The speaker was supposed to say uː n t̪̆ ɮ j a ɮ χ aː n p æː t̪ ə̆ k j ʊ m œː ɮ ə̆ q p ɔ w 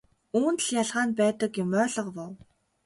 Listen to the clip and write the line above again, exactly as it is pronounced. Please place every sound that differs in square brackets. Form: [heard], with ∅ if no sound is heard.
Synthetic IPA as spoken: uː n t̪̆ ɮ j a ɮ [ʁ] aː n p æː t̪ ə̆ k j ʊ m œː ɮ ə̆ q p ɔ w